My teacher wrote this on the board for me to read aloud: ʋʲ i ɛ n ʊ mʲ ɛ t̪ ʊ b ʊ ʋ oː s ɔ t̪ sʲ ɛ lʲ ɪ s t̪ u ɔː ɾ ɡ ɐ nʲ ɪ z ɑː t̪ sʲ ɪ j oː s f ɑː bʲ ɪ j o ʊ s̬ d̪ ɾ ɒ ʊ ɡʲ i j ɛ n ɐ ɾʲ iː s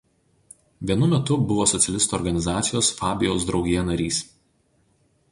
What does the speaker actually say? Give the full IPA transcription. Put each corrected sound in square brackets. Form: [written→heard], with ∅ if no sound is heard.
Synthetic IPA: ʋʲ i ɛ n ʊ mʲ ɛ t̪ ʊ b ʊ ʋ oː s ɔ t̪ sʲ ɛ lʲ ɪ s t̪ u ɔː ɾ ɡ ɐ nʲ ɪ z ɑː t̪ sʲ ɪ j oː s f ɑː bʲ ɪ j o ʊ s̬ d̪ ɾ ɒ ʊ ɡʲ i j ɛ n ɐ ɾʲ iː s